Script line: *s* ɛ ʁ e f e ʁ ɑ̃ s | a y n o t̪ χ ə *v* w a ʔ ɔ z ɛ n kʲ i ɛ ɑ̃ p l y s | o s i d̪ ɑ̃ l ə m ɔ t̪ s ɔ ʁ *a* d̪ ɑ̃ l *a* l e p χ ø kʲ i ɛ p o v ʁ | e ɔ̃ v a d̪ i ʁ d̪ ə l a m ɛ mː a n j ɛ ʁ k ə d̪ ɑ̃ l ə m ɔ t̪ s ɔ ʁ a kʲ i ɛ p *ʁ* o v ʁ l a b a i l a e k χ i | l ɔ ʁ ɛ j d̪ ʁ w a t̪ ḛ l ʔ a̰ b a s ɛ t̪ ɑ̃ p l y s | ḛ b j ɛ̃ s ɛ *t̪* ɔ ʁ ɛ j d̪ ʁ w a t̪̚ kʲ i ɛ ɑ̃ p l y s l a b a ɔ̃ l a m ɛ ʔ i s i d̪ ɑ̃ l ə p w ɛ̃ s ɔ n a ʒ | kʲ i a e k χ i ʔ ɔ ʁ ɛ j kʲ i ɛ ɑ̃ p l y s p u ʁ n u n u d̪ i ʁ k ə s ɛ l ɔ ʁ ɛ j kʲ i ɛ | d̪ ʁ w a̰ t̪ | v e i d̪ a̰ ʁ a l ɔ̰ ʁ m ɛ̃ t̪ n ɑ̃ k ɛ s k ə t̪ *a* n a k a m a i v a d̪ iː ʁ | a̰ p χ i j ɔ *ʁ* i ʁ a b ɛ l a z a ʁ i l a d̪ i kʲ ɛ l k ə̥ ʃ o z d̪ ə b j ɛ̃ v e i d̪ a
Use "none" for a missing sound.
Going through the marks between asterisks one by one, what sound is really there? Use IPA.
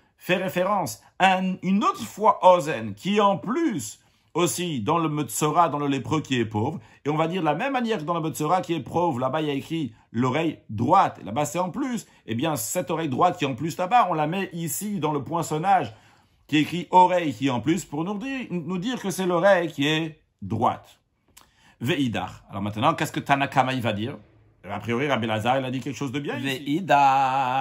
f, f, a, ə, χ, t̪, a, ʁ

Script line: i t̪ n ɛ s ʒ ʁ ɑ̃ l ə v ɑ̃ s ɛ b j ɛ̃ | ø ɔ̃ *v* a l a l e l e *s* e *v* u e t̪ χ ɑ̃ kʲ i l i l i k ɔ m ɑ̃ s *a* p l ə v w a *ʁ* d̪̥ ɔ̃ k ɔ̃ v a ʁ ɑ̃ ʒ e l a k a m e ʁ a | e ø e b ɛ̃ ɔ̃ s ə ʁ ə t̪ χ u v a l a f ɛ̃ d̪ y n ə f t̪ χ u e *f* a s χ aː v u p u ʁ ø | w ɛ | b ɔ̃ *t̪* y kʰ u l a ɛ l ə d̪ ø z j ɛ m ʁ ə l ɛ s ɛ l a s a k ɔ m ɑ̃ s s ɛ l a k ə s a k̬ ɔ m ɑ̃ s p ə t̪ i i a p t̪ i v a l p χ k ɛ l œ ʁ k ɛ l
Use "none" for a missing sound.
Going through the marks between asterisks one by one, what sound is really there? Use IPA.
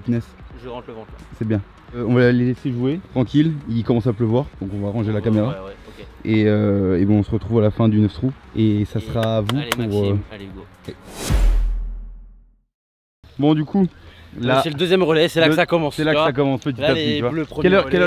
v, s, ʒ, a, ʁ, s, d̪

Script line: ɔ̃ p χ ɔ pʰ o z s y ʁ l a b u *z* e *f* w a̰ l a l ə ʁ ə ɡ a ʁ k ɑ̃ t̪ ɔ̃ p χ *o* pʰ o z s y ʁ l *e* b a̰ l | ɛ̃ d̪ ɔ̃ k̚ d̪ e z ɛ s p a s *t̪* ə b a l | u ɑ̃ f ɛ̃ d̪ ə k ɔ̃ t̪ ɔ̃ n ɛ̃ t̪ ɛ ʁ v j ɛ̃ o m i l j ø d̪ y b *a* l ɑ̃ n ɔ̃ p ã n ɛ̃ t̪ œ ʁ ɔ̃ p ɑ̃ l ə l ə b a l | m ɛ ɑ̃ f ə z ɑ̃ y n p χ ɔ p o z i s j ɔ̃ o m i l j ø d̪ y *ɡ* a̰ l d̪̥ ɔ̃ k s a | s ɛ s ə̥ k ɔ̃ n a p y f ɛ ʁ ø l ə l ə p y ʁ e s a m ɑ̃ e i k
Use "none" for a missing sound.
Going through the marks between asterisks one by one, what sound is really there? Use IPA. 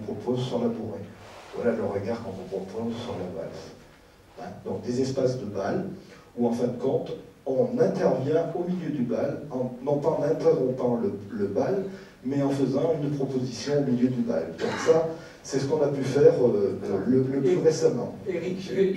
ʁ, v, ɔ, a, d̪, a, b

